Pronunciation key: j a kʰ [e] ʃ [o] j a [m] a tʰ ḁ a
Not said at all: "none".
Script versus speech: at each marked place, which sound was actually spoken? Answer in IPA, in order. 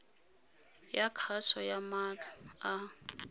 a, ɔ, m

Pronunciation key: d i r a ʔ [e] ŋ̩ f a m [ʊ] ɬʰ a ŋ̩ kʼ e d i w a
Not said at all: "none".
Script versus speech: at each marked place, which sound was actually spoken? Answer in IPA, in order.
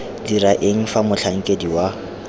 e, ʊ

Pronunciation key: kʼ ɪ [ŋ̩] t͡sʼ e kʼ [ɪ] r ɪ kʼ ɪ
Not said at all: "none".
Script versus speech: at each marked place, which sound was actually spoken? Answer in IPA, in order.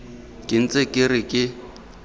n̩, ɪ

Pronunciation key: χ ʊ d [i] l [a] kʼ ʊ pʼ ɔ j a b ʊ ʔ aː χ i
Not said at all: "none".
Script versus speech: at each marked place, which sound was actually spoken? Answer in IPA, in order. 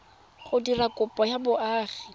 i, a

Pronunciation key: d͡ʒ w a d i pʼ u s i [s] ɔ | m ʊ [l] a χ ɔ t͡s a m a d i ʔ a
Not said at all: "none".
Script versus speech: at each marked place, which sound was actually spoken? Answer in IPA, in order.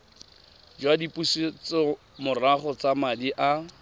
t͡s, r

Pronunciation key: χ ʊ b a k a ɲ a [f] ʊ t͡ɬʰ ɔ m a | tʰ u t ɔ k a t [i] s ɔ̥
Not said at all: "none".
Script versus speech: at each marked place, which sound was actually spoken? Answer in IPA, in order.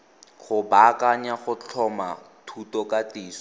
χ, iː

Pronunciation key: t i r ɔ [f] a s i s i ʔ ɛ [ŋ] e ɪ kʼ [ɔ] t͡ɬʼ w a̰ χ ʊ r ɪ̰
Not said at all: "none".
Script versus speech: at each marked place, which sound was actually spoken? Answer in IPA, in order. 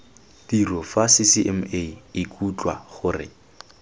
f, m, u

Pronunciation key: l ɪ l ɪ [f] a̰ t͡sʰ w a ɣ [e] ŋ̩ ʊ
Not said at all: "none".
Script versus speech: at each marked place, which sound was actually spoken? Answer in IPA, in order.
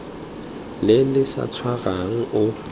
s, a

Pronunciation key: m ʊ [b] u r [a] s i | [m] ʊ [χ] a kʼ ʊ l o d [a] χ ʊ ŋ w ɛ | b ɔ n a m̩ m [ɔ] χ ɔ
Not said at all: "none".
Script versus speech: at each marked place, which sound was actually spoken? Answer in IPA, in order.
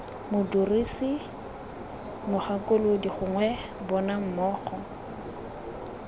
d, i, m, χ, i, ɔː

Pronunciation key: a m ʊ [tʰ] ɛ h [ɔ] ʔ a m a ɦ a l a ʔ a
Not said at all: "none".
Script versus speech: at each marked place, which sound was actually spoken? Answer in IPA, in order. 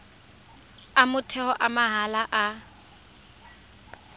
tʰ, ɔ

